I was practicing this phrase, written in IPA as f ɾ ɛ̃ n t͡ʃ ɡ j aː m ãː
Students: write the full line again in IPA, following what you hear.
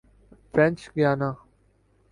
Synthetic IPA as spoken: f ɾ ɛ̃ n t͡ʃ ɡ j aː n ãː